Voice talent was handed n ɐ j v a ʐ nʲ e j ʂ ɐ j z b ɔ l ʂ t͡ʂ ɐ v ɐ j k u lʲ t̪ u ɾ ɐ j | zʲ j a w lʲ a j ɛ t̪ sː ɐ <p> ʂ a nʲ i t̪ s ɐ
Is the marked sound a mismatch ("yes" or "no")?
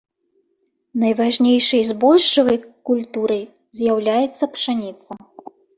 no